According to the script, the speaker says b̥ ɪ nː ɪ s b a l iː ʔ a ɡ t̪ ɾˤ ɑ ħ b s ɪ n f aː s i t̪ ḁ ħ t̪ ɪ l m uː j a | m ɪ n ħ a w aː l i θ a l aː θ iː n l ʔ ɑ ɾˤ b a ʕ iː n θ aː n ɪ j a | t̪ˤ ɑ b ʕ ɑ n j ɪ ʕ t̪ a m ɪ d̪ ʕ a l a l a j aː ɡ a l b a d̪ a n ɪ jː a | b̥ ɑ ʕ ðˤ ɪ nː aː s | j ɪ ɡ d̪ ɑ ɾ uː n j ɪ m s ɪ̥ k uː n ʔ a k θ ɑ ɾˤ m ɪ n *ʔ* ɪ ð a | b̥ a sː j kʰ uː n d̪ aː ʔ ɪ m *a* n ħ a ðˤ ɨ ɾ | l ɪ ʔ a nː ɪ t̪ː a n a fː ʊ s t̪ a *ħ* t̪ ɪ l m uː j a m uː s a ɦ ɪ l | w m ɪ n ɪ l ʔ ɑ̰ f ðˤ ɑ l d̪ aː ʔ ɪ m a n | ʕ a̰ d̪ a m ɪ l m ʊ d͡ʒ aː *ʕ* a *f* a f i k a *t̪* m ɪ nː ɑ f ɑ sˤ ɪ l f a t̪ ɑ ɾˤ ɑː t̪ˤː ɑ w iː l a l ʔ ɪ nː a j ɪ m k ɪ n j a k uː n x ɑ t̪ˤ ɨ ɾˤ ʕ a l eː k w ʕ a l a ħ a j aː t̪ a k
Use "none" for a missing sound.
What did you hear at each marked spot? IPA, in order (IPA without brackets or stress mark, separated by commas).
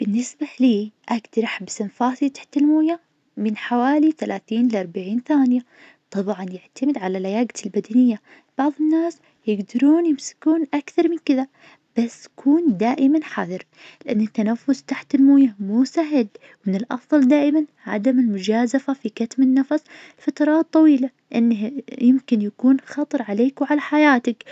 k, a, ħ, z, f, t̪